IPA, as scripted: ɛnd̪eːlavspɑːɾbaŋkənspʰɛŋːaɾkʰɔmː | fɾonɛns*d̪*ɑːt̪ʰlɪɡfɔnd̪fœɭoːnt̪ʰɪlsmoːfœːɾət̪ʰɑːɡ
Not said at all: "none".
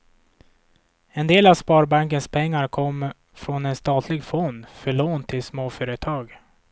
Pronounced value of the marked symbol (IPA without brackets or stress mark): t̪